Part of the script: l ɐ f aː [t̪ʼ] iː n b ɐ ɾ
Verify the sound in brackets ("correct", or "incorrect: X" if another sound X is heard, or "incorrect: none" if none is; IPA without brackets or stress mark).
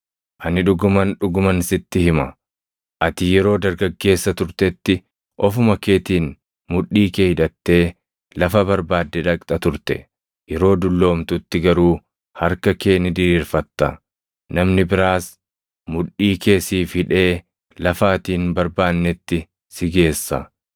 incorrect: t̪